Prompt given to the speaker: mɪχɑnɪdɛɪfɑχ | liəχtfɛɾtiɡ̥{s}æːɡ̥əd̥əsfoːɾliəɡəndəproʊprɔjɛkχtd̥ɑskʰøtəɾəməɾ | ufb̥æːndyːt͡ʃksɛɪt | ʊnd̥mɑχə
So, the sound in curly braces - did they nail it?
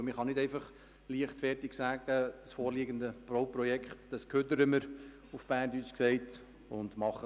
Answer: yes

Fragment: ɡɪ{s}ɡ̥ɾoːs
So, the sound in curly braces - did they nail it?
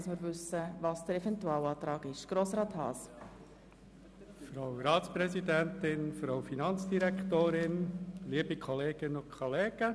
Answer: no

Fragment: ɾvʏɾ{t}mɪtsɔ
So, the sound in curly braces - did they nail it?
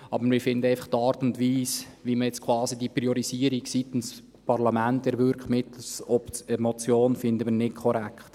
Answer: no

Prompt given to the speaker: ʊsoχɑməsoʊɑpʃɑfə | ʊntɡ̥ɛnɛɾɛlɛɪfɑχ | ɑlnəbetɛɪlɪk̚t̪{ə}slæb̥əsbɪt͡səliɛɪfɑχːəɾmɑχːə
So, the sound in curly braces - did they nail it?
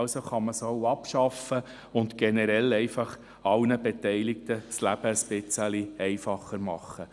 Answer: yes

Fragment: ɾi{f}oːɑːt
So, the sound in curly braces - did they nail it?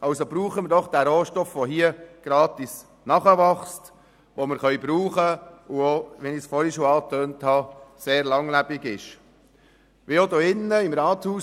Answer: no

